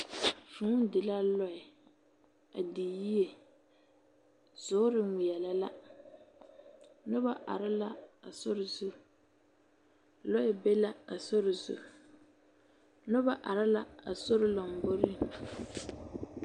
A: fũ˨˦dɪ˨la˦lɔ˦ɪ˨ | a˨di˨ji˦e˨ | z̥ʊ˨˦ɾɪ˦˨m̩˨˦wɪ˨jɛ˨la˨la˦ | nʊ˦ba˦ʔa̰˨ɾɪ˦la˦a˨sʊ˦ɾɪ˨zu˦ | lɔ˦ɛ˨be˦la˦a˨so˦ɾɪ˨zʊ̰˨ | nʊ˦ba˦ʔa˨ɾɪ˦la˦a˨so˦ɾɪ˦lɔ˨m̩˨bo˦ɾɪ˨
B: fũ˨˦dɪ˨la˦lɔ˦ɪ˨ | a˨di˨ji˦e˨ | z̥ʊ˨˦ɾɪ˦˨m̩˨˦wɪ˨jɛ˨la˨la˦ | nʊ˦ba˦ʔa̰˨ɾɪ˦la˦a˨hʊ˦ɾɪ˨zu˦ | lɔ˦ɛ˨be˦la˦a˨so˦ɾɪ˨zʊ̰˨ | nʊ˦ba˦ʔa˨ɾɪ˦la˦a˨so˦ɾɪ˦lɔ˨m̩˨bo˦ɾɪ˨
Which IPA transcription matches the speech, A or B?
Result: A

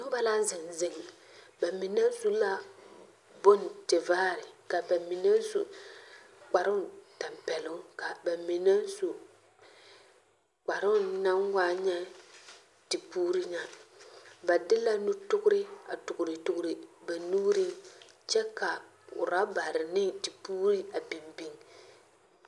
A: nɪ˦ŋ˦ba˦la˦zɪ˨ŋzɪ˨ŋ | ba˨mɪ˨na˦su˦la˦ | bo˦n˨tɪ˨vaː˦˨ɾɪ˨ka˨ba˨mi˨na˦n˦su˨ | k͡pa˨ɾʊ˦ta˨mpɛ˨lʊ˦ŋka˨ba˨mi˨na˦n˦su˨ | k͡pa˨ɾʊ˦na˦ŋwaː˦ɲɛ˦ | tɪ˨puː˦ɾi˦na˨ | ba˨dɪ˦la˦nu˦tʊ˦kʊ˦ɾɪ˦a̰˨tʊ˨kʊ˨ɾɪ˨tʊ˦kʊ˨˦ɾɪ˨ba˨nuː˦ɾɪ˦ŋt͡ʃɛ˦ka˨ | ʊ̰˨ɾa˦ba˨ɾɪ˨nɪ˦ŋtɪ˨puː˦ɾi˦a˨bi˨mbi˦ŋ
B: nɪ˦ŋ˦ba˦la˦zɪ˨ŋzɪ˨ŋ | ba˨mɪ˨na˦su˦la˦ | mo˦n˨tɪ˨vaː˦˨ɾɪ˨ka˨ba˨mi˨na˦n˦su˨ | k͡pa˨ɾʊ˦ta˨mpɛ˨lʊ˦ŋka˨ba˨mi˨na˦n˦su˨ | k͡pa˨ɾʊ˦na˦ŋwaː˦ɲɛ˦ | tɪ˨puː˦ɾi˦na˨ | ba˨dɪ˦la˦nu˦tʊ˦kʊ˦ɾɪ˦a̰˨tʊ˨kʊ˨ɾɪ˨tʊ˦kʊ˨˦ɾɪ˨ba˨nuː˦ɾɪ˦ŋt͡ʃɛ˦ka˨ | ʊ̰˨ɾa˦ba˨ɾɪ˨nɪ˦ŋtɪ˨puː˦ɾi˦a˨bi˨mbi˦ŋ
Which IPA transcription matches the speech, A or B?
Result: A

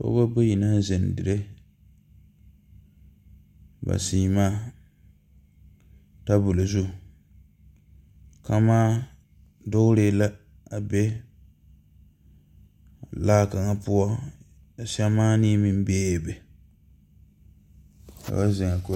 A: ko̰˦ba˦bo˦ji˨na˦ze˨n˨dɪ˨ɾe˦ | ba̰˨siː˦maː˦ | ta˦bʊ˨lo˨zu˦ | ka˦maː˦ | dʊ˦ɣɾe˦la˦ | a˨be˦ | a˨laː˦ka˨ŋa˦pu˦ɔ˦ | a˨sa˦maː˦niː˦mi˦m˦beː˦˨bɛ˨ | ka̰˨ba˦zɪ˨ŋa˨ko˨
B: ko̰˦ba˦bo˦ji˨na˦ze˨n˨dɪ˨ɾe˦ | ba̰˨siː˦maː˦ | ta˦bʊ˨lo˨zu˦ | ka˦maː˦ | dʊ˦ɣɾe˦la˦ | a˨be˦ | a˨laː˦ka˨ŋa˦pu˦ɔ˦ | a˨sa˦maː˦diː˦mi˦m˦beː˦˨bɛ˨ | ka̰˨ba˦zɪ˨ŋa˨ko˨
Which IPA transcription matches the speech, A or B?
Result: A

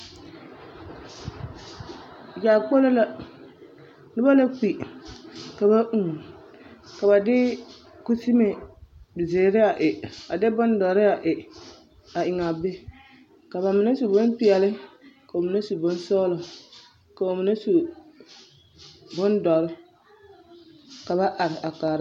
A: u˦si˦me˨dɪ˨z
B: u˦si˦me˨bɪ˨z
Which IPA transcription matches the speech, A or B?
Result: B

